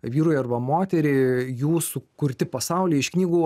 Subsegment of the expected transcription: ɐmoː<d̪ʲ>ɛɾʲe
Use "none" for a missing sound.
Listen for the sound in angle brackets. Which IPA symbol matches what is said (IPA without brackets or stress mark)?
t̪ʲ